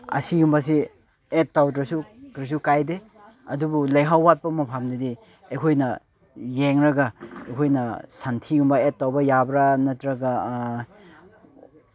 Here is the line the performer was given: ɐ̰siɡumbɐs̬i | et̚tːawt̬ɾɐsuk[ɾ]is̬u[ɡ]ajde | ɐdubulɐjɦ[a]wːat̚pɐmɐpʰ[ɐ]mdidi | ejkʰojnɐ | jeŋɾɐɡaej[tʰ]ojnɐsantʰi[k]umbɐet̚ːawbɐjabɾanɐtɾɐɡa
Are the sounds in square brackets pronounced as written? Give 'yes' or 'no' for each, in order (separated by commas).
yes, no, yes, no, no, no